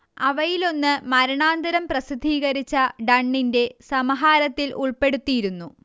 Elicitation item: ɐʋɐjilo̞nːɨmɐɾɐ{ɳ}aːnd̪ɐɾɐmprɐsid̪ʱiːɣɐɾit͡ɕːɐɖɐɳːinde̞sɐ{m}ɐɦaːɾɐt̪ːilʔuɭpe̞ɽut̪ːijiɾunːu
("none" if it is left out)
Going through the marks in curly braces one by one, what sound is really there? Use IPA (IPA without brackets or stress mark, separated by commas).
ɳ, m